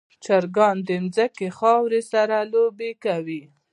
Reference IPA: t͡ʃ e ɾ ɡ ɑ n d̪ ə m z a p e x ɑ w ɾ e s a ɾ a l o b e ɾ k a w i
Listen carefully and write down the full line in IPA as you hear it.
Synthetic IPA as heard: t͡ʃ a ɾ ɡ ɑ n d̪ ə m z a k e x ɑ w ɾ e s a ɾ a l o b e k a w i